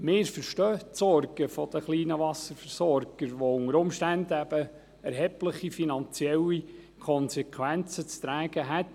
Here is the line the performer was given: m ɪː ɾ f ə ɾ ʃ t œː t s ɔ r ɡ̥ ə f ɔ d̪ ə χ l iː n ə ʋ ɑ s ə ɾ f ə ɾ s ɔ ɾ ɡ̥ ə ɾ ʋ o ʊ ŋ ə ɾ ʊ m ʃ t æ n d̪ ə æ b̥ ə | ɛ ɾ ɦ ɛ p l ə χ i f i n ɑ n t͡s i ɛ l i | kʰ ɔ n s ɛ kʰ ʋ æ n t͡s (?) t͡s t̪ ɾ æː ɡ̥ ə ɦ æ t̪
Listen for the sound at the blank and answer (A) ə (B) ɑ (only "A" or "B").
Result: A